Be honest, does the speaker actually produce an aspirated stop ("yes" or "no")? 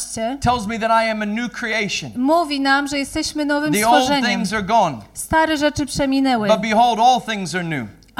yes